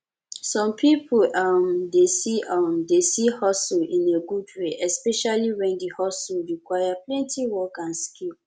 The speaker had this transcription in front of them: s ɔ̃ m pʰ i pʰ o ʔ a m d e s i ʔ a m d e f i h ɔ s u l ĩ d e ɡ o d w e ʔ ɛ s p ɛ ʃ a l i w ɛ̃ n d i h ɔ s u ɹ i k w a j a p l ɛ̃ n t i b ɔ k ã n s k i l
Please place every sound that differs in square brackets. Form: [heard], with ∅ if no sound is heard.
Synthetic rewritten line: s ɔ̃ m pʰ i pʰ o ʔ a m d e s i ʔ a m d e [s] i h ɔ s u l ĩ [n] e ɡ [u] d w e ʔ ɛ s p ɛ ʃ a l i w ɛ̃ n d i h ɔ s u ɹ i k w a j a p l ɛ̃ n t i [w] ɔ k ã n s k i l